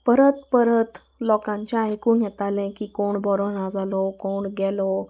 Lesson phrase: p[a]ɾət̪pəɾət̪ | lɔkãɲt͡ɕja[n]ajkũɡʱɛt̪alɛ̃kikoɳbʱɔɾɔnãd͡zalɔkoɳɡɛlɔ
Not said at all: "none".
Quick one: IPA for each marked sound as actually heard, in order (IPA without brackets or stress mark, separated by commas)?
ə, none